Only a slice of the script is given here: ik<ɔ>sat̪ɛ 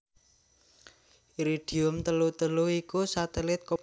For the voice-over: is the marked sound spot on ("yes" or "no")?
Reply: no